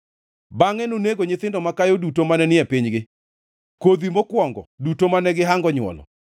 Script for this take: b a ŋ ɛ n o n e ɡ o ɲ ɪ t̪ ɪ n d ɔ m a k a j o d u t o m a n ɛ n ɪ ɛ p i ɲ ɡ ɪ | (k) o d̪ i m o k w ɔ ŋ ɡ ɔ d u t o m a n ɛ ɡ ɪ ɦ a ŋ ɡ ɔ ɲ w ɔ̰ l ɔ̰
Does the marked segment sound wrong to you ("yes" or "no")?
no